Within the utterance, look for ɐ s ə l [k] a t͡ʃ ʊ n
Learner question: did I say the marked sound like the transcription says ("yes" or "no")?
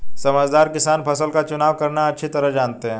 yes